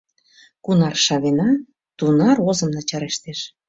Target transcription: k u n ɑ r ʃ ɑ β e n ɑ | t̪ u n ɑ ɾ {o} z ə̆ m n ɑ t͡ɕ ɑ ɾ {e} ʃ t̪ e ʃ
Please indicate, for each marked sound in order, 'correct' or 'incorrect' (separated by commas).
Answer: correct, correct